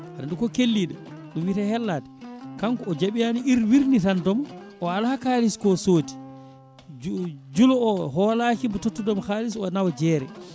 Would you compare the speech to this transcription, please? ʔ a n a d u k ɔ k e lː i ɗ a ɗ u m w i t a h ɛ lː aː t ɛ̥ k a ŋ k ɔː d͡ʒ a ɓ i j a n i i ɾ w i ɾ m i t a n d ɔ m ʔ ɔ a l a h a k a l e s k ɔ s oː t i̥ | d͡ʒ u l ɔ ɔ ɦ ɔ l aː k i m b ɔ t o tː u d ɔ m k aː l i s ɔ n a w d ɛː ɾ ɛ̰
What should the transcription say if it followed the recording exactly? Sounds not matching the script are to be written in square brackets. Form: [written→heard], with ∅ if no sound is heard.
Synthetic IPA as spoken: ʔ a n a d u k ɔ k e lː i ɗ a ɗ u m w i t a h ɛ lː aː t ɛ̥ k a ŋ k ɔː d͡ʒ a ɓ i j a n i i ɾ w i ɾ [m→n] i t a n d ɔ m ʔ ɔ a l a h a k a l [e→i] s k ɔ s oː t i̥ | d͡ʒ u l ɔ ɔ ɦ ɔ l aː k i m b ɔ t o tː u d ɔ m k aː l i s ɔ n a w [d→d͡ʒ] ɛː ɾ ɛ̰